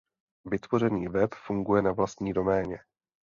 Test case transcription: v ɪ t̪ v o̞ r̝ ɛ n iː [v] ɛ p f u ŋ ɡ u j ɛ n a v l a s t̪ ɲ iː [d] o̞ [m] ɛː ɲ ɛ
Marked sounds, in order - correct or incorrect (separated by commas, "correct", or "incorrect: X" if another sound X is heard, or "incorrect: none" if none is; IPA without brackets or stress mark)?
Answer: correct, correct, correct